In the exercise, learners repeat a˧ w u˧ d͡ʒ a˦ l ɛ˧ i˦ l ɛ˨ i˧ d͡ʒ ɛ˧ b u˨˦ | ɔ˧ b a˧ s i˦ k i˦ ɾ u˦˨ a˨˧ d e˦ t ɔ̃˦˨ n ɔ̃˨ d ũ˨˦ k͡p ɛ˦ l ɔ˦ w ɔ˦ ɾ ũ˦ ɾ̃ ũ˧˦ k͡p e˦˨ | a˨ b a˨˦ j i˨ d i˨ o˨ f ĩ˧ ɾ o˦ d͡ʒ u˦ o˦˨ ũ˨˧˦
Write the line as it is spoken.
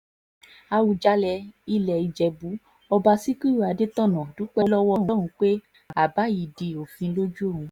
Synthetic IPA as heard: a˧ w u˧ d͡ʒ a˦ l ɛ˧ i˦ l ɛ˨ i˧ d͡ʒ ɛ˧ b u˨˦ | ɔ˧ b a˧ s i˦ k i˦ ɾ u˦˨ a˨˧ d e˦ t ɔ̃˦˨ n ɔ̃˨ d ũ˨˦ k͡p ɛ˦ l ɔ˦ w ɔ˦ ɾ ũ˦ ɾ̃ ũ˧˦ k͡p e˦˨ | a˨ b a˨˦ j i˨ d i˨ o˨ f ĩ˧ l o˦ d͡ʒ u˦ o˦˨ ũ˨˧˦